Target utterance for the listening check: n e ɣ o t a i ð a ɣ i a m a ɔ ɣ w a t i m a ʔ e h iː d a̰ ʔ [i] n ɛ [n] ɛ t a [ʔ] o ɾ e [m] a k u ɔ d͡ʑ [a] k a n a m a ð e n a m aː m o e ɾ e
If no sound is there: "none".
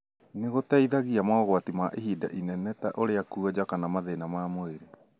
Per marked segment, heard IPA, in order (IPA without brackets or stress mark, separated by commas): i, n, ʔ, none, a